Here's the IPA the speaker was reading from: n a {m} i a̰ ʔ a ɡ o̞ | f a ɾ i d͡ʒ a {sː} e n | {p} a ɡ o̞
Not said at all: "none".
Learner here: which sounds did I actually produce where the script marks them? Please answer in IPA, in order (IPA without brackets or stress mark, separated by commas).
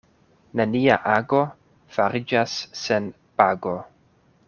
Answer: n, sː, p